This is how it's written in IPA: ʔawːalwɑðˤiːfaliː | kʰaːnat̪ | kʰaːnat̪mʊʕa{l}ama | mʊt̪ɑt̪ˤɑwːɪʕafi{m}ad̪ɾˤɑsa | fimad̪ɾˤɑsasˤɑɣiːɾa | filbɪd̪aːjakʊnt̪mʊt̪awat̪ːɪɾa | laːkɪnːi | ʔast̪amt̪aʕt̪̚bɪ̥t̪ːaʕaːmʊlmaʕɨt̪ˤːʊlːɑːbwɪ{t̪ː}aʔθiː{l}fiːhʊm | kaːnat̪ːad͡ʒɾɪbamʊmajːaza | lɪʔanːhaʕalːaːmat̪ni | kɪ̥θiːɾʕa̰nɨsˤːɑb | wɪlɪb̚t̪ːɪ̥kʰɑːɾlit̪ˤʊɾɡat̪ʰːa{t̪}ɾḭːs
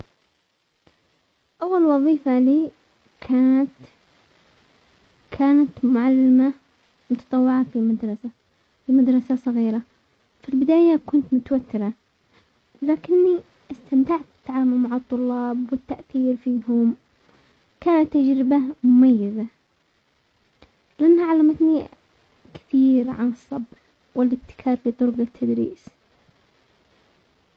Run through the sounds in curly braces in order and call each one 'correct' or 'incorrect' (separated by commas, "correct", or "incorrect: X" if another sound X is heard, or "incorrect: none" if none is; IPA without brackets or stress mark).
incorrect: lː, correct, correct, incorrect: ɾ, incorrect: d̪